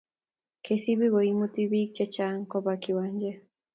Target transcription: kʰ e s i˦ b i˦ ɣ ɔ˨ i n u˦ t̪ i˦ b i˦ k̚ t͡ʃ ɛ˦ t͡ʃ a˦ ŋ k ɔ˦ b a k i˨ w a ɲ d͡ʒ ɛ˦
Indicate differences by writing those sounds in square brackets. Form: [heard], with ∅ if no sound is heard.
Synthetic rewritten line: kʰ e s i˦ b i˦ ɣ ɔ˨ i [m] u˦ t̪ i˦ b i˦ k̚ t͡ʃ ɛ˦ t͡ʃ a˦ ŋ k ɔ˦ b a k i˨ w a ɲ d͡ʒ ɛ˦